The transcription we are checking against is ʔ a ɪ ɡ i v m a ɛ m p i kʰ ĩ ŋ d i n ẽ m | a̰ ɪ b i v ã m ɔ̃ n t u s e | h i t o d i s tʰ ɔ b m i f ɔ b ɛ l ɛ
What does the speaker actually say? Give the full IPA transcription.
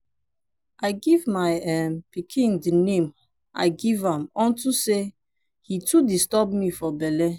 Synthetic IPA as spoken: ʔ a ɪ ɡ i v m a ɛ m p i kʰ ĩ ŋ d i n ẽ m | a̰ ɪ ɡ i v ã m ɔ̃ n t u s e | h i t u d i s t ɔ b m i f ɔ b ɛ l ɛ

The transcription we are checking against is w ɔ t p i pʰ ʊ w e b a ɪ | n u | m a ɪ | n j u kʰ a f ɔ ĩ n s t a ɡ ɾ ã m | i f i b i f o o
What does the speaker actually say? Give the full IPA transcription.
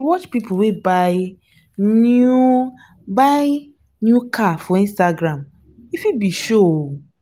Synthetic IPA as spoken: w ɔ t͡ʃ p i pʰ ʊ w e b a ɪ | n u | b a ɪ | n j u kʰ a f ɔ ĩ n s t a ɡ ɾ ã m | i f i b i ʃ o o

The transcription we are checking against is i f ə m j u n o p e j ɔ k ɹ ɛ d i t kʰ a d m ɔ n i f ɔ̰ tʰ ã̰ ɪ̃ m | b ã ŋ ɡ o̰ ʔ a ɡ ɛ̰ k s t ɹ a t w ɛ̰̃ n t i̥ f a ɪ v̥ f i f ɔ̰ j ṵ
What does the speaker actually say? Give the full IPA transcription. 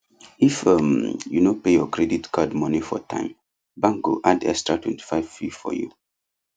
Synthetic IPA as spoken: i f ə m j u n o p e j ɔ k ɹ ɛ d i t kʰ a d m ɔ n i f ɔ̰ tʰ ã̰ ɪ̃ m | b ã ŋ ɡ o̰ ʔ a d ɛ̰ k s t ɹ a t w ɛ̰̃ n t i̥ f a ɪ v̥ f i f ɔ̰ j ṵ

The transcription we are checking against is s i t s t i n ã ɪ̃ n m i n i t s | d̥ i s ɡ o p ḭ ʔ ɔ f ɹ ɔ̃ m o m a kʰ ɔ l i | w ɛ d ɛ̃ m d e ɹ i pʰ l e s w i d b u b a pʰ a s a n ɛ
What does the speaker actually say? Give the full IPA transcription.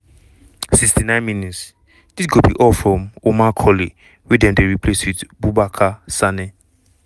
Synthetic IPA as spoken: s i k s t i n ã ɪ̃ n m i n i t s | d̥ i s ɡ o b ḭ ʔ ɔ f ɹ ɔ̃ m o m a kʰ ɔ l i | w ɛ d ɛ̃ m d e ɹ i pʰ l e s w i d b u b a kʰ a s a n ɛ

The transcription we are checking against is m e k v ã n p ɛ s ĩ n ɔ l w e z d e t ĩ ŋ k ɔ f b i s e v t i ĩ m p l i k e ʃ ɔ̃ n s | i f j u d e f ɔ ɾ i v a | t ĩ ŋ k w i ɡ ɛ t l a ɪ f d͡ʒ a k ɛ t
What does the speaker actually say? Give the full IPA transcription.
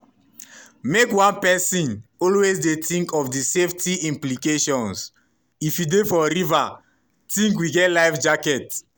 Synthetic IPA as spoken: m e k w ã n p ɛ s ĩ n ɔ l w e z d e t ĩ ŋ k ɔ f d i s e f t i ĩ m p l i k e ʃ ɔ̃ n s | i f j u d e f ɔ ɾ i v a | t ĩ ŋ k w i ɡ ɛ t l a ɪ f d͡ʒ a k ɛ t

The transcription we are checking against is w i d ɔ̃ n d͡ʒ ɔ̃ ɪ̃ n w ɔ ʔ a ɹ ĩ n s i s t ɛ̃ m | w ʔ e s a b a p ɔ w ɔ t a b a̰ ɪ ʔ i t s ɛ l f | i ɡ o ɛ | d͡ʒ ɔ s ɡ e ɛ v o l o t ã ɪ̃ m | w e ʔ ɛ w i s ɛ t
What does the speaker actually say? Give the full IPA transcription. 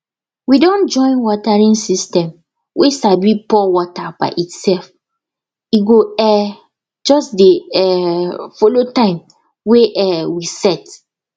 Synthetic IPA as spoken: w i d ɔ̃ n d͡ʒ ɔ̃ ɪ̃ n w ɔ t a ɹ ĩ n s i s t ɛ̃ m | w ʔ e s a b i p ɔ w ɔ t a b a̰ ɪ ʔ i t s ɛ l f | i ɡ o ɛ | d͡ʒ ɔ s d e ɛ f o l o t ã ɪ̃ m | w e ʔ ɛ w i s ɛ t

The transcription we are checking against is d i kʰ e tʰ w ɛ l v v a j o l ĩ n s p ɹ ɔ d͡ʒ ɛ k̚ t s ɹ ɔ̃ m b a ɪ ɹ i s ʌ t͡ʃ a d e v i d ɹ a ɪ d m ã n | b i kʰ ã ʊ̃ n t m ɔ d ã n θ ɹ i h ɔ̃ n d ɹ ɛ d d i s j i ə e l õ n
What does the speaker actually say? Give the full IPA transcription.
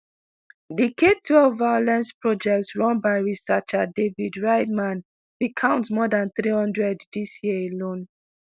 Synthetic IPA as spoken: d i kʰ e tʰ w ɛ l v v a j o l ɛ̃ n s p ɹ ɔ d͡ʒ ɛ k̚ t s ɹ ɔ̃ n b a ɪ ɹ i s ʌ t͡ʃ a d e v i d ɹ a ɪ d m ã n | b i kʰ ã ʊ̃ n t m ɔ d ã n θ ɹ i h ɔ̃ n d ɹ ɛ d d i s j i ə e l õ n

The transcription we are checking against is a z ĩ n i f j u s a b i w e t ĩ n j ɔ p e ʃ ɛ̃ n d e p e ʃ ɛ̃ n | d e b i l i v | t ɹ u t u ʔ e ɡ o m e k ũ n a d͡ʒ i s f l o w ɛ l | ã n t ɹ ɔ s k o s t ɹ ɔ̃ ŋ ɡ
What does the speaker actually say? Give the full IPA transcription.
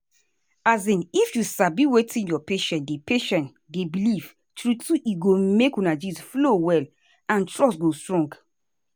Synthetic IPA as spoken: a z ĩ n i f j u s a b i w e t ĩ n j ɔ p e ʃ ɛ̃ n d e p e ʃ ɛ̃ n | d e b i l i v | t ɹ u t u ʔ i ɡ o m e k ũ n a d͡ʒ i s f l o w ɛ l | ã n t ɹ ɔ s ɡ o s t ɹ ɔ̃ ŋ ɡ

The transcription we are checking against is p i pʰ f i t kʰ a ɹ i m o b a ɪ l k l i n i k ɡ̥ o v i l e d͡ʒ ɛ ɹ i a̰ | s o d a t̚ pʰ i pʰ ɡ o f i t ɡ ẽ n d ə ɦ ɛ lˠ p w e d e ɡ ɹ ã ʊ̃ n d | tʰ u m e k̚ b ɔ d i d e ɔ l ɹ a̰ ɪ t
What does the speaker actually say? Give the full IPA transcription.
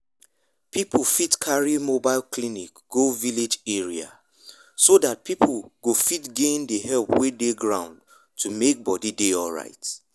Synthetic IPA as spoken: p i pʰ f i t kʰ a ɹ i m o b a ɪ l k l i n i k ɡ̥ o v i l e d͡ʒ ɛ ɹ i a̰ | s o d a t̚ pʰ i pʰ ɡ o f i t ɡ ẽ n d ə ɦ ɛ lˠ p w e d e ɡ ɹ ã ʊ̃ n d | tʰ u m e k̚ b ɔ d i d e ɔ l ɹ a̰ ɪ t

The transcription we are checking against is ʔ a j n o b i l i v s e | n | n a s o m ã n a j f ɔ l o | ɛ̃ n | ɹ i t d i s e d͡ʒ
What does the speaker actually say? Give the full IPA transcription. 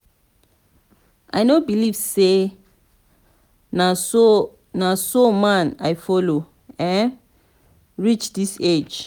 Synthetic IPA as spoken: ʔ a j n o b i l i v s e | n | n a s o m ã n a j f ɔ l o | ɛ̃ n | ɹ i t͡ʃ d i s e d͡ʒ

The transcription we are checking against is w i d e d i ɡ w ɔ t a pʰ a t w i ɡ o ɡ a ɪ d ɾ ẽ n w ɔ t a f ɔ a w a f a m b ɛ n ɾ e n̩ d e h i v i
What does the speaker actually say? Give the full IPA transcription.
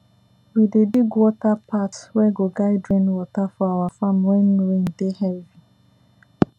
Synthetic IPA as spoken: w i d e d i ɡ w ɔ t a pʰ a t w ɛ ɡ o ɡ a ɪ d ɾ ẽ n w ɔ t a f ɔ a w a f a m w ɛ n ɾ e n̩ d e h ɛ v i

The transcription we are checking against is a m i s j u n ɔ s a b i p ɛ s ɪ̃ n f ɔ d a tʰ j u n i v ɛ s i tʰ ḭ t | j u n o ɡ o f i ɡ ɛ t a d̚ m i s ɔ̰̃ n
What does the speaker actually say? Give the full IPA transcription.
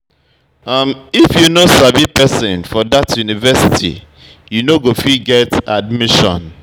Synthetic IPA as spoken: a m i f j u n o s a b i p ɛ s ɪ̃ n f ɔ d a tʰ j u n i v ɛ s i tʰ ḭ | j u n o ɡ o f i ɡ ɛ t a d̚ m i ʃ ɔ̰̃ n

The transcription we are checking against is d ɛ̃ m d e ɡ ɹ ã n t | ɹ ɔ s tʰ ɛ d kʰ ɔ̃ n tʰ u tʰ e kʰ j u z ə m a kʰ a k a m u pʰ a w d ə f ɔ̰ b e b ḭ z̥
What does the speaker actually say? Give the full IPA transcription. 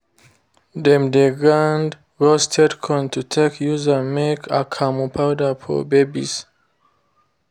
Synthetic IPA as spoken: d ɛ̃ m d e ɡ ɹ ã n d | ɹ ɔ s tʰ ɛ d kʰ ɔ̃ n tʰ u tʰ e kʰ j u z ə m e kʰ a kʰ a m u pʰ a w d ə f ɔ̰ b e b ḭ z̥

